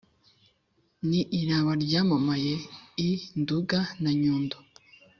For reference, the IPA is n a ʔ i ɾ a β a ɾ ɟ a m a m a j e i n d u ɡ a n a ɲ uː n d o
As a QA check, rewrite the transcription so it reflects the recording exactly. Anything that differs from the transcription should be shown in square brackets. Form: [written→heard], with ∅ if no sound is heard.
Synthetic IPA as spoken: n [a→i] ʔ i ɾ a β a ɾ ɟ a m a m a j e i n d u ɡ a n a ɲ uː n d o